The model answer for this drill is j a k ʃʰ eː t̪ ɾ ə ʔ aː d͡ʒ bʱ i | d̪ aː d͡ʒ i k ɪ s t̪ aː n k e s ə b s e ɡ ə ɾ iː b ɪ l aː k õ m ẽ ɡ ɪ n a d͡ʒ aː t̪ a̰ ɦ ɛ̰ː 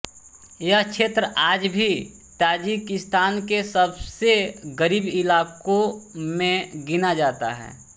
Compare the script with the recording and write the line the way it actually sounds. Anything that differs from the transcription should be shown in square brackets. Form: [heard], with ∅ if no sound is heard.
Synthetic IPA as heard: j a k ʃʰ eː t̪ ɾ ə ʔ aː d͡ʒ bʱ i | [t̪] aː d͡ʒ i k ɪ s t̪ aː n k e s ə b s e ɡ ə ɾ iː b ɪ l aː k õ m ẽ ɡ ɪ n a d͡ʒ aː t̪ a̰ ɦ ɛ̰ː